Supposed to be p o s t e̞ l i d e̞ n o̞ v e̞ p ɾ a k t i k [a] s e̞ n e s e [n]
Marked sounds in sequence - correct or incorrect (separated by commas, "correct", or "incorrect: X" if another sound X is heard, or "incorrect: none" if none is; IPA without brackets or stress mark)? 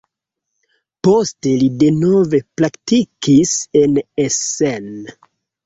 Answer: incorrect: i, correct